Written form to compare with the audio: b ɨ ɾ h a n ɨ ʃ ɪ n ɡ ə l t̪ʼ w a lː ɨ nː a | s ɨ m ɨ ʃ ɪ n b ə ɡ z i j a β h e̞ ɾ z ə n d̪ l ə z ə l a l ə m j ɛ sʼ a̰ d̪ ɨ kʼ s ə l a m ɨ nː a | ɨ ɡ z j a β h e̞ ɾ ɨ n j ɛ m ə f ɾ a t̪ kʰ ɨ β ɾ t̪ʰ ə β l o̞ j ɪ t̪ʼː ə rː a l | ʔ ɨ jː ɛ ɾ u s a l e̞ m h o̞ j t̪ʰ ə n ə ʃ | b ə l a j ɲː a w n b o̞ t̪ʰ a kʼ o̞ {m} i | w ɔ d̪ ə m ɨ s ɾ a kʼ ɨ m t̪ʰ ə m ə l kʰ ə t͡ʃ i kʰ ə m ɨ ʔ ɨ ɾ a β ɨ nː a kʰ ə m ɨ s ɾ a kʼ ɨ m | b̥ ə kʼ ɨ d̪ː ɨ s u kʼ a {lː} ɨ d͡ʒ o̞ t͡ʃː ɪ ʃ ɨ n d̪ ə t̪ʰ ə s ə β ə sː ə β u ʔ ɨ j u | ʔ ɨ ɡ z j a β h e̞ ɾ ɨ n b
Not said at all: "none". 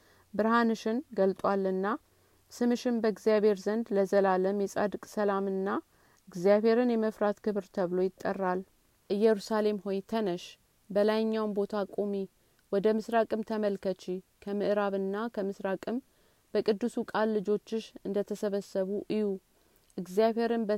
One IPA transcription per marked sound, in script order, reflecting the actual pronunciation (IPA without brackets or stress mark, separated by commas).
m, lː